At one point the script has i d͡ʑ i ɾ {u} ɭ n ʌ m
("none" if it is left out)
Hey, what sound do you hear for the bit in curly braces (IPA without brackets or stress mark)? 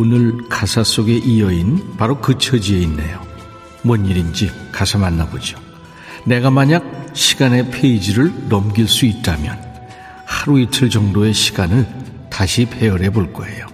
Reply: ɯ